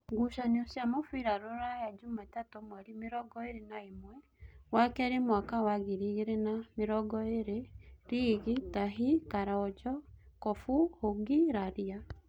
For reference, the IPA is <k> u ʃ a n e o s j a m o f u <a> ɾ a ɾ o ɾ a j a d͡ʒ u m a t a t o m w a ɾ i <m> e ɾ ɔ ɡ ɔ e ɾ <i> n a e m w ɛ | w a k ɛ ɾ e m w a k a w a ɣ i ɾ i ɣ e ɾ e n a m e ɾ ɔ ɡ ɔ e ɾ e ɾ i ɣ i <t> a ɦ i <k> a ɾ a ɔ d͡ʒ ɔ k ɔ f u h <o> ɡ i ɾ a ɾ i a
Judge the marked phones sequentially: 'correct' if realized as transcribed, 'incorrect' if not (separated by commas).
incorrect, incorrect, correct, incorrect, correct, correct, correct